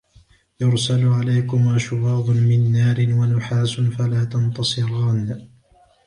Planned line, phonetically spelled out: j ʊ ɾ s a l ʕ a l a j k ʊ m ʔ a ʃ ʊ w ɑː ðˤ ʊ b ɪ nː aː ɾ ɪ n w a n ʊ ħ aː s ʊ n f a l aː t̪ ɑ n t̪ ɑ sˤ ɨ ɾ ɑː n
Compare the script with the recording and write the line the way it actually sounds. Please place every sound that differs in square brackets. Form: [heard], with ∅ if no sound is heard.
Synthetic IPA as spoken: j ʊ ɾ s a l ʕ a l a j k ʊ m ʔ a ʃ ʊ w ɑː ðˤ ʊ [m] ɪ nː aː ɾ ɪ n w a n ʊ ħ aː s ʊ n f a l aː t̪ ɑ n t̪ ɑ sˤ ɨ ɾ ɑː n